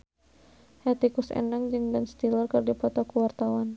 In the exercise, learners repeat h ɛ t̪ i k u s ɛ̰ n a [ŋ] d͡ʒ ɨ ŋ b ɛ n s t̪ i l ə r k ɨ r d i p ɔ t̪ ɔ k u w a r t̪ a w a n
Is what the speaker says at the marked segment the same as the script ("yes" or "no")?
yes